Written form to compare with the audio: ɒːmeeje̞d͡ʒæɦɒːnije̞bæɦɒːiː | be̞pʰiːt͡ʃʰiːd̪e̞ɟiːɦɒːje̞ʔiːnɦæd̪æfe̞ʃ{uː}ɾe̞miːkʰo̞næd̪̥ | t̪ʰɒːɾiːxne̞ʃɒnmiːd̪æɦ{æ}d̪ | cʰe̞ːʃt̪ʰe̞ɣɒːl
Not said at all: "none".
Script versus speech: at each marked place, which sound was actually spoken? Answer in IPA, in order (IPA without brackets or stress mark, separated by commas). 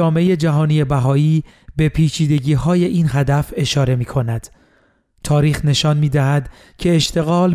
ɒː, æ